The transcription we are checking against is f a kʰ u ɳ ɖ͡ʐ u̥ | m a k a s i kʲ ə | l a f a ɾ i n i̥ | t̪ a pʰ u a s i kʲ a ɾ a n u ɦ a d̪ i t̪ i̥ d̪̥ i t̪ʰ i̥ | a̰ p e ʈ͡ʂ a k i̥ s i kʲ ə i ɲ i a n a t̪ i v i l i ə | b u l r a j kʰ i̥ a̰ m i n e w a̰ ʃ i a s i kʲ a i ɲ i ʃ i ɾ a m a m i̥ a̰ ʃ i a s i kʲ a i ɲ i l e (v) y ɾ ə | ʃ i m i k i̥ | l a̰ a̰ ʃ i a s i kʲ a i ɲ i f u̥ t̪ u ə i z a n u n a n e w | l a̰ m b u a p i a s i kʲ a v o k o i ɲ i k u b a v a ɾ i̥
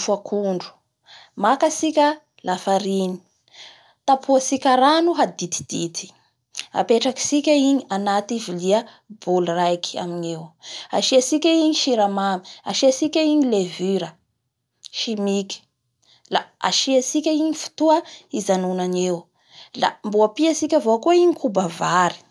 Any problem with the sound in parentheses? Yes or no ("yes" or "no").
no